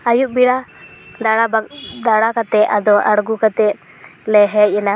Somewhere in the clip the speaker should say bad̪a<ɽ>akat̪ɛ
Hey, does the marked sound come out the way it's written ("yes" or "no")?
yes